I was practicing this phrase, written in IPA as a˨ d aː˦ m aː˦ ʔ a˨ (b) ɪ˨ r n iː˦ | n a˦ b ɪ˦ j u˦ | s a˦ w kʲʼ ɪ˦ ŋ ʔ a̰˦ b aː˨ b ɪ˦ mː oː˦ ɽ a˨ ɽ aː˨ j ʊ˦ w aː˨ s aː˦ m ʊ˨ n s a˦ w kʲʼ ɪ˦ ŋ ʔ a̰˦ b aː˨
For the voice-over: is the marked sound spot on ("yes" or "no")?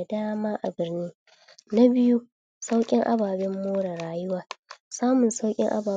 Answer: yes